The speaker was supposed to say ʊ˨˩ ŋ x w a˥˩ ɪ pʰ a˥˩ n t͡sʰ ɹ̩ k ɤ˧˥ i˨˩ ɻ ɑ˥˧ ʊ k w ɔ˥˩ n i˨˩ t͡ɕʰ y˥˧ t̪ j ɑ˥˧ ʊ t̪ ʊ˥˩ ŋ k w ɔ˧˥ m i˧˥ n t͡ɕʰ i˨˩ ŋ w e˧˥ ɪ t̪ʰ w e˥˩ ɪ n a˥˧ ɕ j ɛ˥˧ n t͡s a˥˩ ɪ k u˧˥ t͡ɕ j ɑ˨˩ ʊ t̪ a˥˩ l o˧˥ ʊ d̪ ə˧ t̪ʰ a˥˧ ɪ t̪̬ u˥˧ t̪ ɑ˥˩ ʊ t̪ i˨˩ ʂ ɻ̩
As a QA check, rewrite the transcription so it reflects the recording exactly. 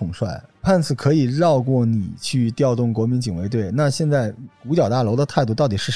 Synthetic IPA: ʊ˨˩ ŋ ʂ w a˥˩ ɪ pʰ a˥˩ n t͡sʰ ɹ̩ kʰ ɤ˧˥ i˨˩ ɻ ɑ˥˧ ʊ k w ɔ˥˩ n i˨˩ t͡ɕʰ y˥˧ t̪ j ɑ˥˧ ʊ t̪ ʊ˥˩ ŋ k w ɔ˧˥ m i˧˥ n t͡ɕ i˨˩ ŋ w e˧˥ ɪ t̪ w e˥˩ ɪ n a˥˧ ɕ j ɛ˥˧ n t͡s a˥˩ ɪ k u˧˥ t͡ɕ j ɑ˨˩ ʊ t̪ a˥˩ l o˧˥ ʊ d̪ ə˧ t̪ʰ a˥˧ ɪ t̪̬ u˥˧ t̪ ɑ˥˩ ʊ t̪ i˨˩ ʂ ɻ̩